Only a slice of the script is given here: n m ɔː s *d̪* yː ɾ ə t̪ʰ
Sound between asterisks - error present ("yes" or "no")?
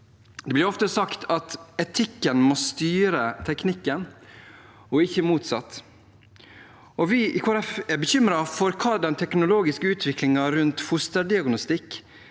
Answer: yes